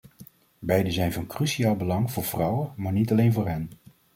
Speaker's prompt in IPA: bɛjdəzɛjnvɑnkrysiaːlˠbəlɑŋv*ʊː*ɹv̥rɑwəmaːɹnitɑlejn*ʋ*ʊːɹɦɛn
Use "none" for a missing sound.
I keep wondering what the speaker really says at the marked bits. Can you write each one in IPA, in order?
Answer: ʊː, v

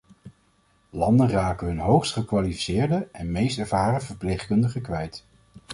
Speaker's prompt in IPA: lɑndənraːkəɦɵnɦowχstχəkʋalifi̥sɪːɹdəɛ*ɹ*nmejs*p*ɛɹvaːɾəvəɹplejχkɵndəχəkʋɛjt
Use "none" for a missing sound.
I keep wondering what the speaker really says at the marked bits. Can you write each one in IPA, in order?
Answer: none, t

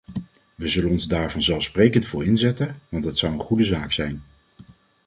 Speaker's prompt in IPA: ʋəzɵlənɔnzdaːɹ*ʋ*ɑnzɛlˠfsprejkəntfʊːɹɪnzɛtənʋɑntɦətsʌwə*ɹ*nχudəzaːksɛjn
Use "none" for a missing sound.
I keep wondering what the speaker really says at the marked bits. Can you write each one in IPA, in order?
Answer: v, none

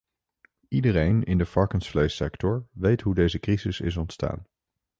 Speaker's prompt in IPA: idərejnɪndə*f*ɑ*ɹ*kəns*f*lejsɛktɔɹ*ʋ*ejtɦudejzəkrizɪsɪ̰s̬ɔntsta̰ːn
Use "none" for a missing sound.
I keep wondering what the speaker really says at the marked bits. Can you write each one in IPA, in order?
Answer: f, ɹ, f, ʋ

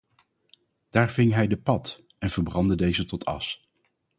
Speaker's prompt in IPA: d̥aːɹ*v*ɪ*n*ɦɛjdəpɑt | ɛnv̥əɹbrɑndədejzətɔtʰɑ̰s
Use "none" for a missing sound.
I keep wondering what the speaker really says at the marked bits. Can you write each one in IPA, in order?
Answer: v, ŋ

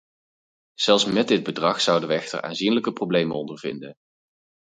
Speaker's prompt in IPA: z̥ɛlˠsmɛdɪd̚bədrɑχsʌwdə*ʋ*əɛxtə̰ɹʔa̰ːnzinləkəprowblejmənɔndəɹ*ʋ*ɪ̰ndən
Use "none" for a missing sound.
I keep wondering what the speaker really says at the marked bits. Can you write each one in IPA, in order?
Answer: ʋ, v

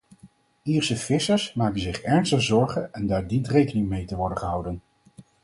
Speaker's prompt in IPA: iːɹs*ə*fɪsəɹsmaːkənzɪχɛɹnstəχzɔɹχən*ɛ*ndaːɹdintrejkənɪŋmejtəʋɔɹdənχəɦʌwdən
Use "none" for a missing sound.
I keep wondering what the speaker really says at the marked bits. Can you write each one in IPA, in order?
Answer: ə, ɛ

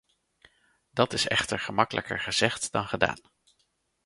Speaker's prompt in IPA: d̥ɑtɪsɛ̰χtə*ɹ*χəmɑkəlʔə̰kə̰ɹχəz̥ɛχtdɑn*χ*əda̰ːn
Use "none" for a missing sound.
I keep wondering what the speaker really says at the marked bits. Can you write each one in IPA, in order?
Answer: ɹ, χ

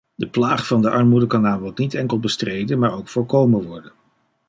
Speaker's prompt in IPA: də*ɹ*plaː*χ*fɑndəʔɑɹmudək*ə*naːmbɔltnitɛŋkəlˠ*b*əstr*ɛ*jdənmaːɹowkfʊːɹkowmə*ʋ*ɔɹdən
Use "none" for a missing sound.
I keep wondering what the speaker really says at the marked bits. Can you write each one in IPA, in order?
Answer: none, χ, ɑ, b, e, ʋ

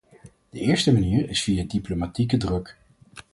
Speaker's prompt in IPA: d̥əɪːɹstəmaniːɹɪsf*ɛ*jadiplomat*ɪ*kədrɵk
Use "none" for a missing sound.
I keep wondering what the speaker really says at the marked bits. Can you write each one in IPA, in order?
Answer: i, i

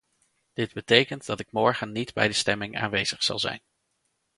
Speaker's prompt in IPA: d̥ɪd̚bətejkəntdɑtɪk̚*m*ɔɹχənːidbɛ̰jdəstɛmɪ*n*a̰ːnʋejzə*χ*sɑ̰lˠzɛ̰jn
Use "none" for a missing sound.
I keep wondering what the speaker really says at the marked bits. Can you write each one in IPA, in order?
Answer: m, ŋ, χ

